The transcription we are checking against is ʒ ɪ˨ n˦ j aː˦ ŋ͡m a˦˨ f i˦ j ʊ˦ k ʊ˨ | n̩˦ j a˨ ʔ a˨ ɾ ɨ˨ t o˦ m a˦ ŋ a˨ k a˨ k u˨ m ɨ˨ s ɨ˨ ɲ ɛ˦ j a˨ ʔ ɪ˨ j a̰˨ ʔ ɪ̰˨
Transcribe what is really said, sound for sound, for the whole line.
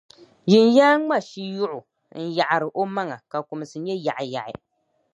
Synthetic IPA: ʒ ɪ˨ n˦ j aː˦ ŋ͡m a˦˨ ʃ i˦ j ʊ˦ ʔ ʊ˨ | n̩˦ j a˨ ʔ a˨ ɾ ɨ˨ ʔ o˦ m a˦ ŋ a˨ k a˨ k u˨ m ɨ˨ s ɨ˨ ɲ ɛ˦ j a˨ ʔ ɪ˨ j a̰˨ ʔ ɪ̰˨